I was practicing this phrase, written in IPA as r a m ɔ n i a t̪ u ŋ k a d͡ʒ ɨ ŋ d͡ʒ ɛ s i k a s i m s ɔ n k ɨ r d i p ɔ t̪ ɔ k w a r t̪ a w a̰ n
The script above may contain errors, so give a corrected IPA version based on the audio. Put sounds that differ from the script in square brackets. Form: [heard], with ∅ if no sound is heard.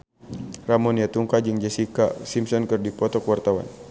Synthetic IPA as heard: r a m ɔ n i a t̪ u ŋ k a d͡ʒ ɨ ŋ d͡ʒ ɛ s i k a s i m s ɔ n k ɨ r d i p ɔ t̪ ɔ k w a r t̪ a w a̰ n